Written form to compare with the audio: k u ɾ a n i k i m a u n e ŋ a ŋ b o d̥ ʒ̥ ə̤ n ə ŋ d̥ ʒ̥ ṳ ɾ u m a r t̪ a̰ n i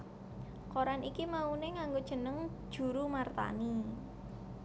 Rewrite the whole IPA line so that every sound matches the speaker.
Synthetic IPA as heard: k o ɾ a n i k i m a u n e ŋ a ŋ ɡ o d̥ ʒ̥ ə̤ n ə ŋ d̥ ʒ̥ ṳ ɾ u m a r t̪ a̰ n i